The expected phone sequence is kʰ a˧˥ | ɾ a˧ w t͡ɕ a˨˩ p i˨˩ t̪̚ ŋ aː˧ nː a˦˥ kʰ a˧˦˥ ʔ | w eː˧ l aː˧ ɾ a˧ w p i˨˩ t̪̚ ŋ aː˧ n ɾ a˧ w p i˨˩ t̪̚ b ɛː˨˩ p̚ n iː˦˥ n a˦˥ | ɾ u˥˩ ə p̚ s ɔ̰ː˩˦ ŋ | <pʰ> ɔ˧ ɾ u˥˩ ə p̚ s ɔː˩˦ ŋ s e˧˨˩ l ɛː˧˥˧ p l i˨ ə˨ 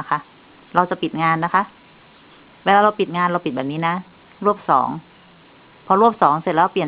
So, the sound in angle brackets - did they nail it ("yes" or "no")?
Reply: yes